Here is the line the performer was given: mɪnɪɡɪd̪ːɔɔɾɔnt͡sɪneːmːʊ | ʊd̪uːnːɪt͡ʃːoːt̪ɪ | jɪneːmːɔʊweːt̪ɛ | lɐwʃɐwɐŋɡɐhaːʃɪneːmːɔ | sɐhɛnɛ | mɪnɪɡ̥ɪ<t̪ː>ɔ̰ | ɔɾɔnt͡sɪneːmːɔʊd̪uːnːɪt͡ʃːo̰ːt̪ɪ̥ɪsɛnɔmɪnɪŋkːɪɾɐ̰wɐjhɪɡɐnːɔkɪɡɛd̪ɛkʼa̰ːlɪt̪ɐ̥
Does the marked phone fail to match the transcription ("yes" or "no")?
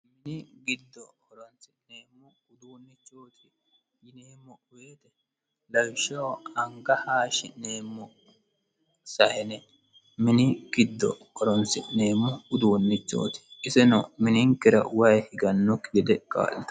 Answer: yes